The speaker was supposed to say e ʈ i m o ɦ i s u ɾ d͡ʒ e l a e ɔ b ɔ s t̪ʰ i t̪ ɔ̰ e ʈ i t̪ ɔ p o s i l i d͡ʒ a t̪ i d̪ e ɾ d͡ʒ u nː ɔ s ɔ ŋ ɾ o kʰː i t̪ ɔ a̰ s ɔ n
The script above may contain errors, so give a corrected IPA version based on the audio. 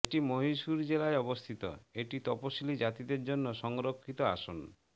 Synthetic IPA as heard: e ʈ i m o ɦ i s u ɾ d͡ʒ e l a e ɔ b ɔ s t̪ʰ i t̪ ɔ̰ e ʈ i t̪ ɔ p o s i l i d͡ʒ a t̪ i d̪ e ɾ d͡ʒ o nː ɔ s ɔ ŋ ɾ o kʰː i t̪ ɔ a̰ s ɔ n